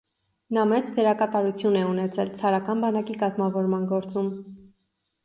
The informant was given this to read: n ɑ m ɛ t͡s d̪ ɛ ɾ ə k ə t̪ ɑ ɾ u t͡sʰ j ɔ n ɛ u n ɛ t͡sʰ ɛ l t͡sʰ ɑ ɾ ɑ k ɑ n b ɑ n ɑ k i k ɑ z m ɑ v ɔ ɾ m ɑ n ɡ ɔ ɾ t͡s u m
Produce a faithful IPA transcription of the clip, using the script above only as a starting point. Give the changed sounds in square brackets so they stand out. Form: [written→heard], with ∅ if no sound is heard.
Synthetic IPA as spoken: n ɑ m ɛ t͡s d̪ ɛ ɾ [ə→ɑ] k [ə→ɑ] t̪ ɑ ɾ u t͡sʰ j [ɔ→u] n ɛ u n ɛ t͡sʰ ɛ l t͡sʰ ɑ ɾ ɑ k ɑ n b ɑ n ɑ k i k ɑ z m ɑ v ɔ ɾ m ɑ n ɡ ɔ ɾ t͡s u m